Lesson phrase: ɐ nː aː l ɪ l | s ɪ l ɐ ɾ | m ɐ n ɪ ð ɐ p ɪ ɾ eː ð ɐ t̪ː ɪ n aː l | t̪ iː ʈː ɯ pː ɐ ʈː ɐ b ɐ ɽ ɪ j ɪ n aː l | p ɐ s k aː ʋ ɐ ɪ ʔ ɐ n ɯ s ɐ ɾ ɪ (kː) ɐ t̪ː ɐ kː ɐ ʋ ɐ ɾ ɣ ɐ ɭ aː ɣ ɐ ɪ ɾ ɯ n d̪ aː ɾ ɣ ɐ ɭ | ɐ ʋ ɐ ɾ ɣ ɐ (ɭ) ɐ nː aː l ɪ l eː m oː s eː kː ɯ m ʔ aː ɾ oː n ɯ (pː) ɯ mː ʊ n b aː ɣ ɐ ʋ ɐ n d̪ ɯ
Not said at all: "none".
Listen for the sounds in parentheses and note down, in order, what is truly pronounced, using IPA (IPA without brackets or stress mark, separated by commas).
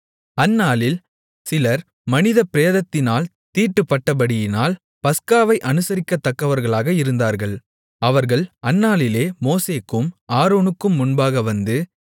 kː, ɭ, kː